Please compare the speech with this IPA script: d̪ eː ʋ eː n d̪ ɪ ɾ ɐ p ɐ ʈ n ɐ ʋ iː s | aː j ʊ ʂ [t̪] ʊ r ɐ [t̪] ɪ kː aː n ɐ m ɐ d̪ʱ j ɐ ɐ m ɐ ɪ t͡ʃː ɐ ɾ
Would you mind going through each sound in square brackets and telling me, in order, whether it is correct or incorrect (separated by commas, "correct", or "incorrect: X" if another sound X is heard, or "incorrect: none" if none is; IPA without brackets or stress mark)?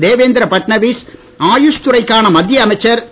correct, incorrect: none